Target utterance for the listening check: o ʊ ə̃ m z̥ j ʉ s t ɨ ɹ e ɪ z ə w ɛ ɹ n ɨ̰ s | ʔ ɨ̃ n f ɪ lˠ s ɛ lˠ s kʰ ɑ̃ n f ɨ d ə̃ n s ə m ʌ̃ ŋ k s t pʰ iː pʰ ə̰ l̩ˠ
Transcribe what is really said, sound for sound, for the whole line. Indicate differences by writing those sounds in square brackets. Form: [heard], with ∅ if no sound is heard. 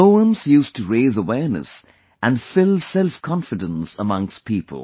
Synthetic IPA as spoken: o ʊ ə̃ m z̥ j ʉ s t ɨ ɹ e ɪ z ə w ɛ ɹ n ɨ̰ s | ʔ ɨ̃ n f ɪ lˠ s ɛ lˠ [f] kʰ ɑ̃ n f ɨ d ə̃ n s ə m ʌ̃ ŋ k s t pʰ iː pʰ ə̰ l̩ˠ